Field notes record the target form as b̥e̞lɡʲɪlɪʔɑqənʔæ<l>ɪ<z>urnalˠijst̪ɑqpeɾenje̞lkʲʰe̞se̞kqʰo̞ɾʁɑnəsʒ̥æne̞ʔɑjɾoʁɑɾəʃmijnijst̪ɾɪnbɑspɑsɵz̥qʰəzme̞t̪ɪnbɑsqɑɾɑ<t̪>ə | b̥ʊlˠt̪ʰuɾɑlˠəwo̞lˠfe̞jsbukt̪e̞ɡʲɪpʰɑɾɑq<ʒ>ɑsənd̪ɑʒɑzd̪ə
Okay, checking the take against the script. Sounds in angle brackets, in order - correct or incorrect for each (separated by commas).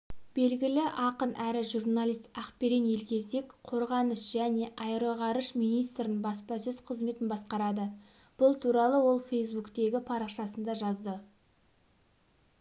incorrect, incorrect, incorrect, incorrect